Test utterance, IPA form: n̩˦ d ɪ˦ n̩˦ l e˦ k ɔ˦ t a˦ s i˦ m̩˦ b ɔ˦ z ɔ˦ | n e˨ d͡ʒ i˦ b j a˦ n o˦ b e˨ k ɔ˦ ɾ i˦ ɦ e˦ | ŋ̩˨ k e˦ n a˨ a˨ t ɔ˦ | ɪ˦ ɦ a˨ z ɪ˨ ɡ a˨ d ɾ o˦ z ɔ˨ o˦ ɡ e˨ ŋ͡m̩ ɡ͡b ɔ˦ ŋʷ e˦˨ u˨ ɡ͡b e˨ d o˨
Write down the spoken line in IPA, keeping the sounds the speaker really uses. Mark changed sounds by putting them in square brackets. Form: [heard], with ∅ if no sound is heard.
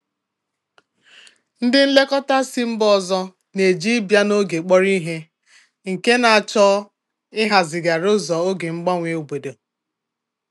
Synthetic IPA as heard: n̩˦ d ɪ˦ n̩˦ l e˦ k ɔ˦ t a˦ s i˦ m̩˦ b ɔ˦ z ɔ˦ | n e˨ d͡ʒ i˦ b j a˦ n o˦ [ɡ] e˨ [k͡p] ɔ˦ ɾ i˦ ɦ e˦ | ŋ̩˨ k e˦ n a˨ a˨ [t͡ʃ] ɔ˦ | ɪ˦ ɦ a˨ z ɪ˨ ɡ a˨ [∅] ɾ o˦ z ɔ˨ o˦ ɡ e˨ ŋ͡m̩ ɡ͡b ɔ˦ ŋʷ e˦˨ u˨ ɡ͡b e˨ d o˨